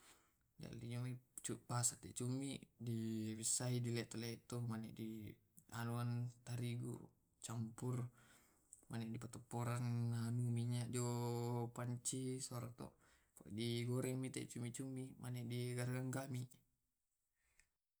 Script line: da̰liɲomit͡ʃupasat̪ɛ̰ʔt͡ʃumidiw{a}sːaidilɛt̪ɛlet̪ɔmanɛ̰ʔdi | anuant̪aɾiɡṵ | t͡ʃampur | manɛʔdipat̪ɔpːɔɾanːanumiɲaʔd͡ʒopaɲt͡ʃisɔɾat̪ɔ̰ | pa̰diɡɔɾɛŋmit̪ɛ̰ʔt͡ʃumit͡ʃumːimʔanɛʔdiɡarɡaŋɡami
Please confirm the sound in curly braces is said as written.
no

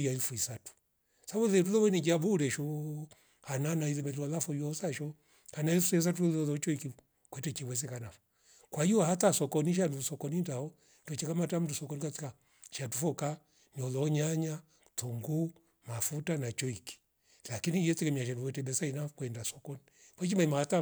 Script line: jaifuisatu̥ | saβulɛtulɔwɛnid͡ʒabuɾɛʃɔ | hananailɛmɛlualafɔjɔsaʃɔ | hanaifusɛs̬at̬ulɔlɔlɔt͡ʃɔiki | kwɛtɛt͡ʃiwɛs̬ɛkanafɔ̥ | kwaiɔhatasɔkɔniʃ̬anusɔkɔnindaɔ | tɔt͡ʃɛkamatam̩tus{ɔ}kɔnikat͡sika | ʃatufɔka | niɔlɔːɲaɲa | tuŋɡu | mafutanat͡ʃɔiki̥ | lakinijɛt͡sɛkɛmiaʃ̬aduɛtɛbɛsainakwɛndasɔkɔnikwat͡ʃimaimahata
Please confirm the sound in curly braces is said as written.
yes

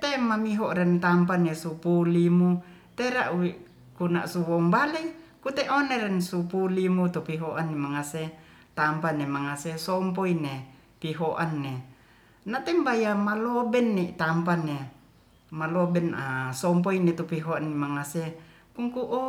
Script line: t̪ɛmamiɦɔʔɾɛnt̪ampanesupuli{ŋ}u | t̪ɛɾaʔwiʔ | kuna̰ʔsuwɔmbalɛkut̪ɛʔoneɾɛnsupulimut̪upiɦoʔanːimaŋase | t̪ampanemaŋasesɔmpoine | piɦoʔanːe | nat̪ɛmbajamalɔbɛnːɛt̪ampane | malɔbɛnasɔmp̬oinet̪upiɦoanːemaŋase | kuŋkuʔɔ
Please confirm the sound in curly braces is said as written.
no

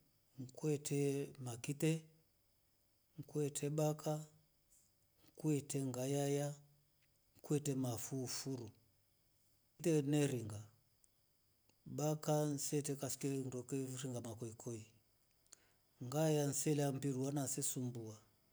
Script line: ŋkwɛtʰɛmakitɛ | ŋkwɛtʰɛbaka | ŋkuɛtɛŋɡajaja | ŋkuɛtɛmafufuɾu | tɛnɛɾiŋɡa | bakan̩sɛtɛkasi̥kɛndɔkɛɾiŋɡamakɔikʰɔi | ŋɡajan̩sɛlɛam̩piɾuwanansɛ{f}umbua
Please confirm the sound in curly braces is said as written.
no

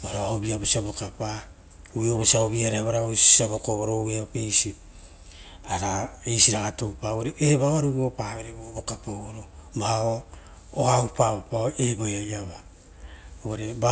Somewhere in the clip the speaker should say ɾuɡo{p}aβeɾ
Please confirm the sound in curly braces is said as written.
yes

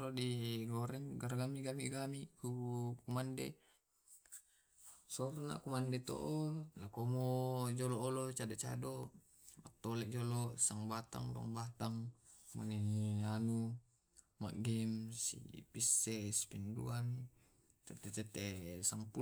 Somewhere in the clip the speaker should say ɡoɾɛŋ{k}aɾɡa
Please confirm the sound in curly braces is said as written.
no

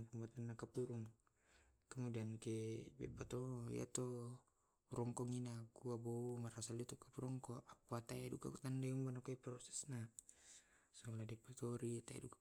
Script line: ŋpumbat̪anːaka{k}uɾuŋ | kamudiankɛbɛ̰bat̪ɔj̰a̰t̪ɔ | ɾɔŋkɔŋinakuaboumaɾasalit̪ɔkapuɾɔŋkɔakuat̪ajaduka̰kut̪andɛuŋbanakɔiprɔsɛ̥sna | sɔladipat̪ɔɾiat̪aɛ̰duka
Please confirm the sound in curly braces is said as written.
no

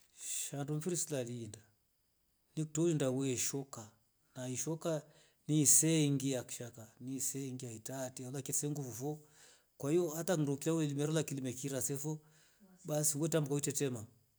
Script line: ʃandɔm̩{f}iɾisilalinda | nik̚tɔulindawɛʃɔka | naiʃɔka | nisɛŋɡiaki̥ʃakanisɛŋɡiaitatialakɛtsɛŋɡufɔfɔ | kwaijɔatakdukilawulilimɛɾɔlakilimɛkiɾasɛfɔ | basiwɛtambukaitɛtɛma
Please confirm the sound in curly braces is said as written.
yes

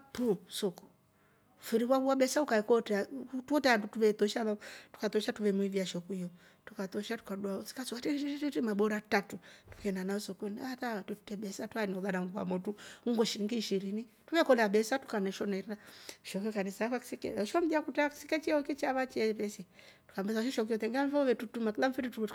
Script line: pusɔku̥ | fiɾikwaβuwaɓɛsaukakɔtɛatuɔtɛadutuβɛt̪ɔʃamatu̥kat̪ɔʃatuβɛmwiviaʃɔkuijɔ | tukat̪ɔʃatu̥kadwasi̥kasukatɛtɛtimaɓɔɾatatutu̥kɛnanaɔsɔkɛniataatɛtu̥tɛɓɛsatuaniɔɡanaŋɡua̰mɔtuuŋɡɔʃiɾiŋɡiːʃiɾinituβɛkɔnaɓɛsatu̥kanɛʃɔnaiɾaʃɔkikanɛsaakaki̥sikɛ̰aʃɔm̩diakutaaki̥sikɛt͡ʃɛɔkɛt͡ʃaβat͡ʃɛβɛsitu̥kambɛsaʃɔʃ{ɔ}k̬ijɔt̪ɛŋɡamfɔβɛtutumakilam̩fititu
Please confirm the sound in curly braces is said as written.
yes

